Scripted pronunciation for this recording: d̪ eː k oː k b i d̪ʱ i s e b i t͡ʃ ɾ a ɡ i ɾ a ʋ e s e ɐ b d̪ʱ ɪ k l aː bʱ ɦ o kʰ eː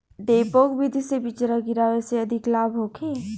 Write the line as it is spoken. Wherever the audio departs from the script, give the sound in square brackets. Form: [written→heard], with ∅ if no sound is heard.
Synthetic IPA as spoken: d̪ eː [k→p] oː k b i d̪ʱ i s e b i t͡ʃ ɾ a ɡ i ɾ a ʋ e s e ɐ [b→∅] d̪ʱ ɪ k l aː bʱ ɦ o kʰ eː